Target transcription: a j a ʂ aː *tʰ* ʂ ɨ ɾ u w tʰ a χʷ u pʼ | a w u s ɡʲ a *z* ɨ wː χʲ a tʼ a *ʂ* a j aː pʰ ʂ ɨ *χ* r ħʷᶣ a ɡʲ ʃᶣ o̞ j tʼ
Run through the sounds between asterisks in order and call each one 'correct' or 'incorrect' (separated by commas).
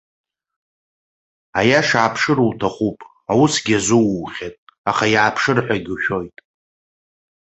incorrect, correct, incorrect, incorrect